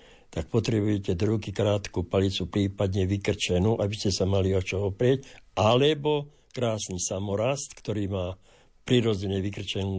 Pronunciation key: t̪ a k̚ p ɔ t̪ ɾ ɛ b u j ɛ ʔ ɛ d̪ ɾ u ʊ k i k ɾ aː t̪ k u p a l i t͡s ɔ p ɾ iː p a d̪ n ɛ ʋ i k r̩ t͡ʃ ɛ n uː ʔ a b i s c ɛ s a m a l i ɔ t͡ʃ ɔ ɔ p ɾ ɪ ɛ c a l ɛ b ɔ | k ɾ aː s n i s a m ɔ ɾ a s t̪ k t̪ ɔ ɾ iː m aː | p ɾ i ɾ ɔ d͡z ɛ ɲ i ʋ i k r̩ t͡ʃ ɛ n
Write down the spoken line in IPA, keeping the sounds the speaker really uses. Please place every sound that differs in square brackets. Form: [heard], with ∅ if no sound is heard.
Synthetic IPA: t̪ a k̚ p ɔ t̪ ɾ ɛ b u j ɛ [c] ɛ d̪ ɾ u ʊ k i k ɾ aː t̪ k u p a l i t͡s [u] p ɾ iː p a d̪ [ɲ] ɛ ʋ i k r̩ t͡ʃ ɛ n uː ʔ a b i s c ɛ s a m a l i ɔ t͡ʃ ɔ ɔ p ɾ ɪ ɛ c a l ɛ b ɔ | k ɾ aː s n i s a m ɔ ɾ a s t̪ k t̪ ɔ ɾ iː m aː | p ɾ i ɾ ɔ d͡z ɛ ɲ [ɛ] ʋ i k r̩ t͡ʃ ɛ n